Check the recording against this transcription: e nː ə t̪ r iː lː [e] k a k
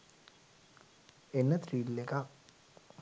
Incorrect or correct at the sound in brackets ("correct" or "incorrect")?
correct